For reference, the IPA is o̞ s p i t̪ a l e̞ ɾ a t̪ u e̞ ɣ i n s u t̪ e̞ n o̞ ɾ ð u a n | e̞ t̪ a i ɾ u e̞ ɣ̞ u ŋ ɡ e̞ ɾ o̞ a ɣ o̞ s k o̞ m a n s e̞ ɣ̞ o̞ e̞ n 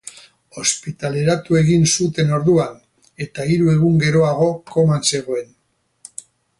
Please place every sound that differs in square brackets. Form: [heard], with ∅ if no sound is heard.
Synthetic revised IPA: o̞ s p i t̪ a l e̞ ɾ a t̪ u e̞ ɣ i n s u t̪ e̞ n o̞ ɾ ð u a n | e̞ t̪ a i ɾ u e̞ ɣ̞ u ŋ ɡ e̞ ɾ o̞ a ɣ o̞ [∅] k o̞ m a n s e̞ ɣ̞ o̞ e̞ n